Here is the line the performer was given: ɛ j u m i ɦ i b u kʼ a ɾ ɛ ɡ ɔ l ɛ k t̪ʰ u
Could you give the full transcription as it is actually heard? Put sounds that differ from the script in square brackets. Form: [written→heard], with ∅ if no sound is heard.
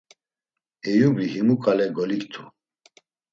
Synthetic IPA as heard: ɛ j u [m→b] i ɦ i [b→m] u kʼ a [ɾ→l] ɛ ɡ ɔ l [ɛ→i] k t̪ʰ u